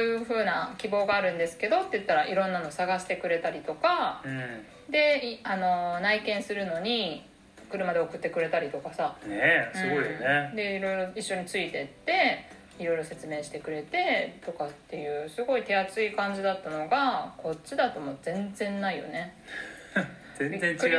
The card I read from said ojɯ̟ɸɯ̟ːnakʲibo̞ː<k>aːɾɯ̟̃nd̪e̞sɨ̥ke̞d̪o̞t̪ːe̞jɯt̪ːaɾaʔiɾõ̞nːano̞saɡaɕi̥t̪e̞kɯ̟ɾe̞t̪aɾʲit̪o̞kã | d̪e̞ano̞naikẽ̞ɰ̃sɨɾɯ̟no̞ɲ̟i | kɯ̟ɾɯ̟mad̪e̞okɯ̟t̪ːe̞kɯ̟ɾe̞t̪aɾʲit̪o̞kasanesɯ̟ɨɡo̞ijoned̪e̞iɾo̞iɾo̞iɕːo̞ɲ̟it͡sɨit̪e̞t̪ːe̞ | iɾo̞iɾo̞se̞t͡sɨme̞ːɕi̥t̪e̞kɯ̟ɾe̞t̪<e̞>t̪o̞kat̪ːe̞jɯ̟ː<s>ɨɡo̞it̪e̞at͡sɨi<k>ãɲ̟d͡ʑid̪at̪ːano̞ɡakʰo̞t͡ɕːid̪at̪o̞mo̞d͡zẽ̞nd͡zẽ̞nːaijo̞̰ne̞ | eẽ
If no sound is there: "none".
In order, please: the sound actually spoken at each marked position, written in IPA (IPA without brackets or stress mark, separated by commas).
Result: ɡ, e̞, s, k